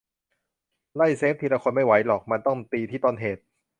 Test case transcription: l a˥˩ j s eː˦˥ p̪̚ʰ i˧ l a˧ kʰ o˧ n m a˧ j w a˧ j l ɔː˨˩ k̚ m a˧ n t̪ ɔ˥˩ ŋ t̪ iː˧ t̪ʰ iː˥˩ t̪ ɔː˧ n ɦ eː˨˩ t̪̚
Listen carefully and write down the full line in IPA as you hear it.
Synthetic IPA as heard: l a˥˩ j s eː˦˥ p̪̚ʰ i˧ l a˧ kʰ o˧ n m a˥˩ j w a˩˦˥ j l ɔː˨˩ k̚ m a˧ n t̪ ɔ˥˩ ŋ t̪ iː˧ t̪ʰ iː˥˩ t̪ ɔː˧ n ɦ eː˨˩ t̪̚

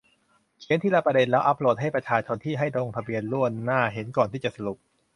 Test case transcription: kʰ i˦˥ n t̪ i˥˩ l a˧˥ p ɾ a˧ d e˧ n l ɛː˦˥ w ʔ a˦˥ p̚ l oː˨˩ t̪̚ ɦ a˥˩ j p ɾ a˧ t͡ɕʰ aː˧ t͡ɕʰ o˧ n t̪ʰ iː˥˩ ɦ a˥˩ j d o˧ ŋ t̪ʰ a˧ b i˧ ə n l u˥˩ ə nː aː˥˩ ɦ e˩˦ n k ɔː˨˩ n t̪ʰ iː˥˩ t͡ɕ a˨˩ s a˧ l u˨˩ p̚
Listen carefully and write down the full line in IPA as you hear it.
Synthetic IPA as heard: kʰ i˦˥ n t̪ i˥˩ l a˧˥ p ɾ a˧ d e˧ n l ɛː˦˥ w ʔ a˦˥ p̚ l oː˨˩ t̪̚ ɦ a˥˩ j p ɾ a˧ t͡ɕʰ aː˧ t͡ɕʰ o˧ n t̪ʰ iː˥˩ ɦ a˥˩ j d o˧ ŋ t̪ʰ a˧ b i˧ ə n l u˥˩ ə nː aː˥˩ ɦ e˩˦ n k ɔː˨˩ n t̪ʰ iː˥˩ t͡ɕ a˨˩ s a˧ l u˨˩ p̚

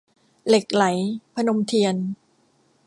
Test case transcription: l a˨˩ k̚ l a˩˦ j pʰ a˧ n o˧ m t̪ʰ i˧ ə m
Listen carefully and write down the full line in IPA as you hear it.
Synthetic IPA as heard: l e˨˩ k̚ l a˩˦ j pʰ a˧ n o˧ m t̪ʰ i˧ ə n

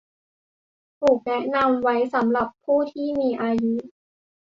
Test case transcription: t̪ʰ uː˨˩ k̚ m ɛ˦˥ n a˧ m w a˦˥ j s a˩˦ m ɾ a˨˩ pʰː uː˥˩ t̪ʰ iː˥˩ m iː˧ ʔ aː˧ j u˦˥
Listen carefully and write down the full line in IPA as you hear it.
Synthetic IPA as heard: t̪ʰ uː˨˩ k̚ n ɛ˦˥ n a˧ m w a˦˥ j s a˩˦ m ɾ a˨˩ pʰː uː˥˩ t̪ʰ iː˥˩ m iː˧ ʔ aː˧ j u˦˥

